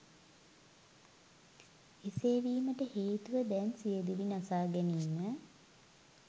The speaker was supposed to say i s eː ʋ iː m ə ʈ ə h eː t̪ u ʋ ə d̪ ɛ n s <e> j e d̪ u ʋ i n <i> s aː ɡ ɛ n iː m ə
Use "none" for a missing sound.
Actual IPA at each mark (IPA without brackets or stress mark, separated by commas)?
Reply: i, a